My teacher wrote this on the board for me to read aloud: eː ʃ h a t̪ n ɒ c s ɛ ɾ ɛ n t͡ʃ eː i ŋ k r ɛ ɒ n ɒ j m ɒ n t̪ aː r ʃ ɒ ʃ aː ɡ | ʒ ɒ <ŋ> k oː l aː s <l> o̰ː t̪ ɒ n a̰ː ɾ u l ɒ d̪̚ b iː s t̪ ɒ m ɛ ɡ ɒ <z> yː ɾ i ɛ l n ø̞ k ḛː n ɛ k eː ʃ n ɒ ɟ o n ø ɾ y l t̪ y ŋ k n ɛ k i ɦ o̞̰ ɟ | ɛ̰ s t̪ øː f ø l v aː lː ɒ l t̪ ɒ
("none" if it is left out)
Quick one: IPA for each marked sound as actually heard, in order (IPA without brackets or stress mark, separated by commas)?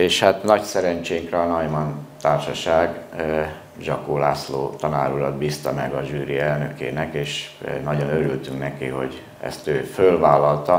none, l, ʒ